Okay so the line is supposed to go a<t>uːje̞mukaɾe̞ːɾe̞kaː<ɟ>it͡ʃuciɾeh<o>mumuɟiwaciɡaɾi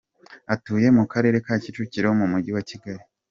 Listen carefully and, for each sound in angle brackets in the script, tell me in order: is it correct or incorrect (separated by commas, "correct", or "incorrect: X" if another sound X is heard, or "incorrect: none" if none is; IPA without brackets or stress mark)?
correct, incorrect: c, correct